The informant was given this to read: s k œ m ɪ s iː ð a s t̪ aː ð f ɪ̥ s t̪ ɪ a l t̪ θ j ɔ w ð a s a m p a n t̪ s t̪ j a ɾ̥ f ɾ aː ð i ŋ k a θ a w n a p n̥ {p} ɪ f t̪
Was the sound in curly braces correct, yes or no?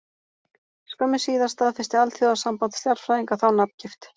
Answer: no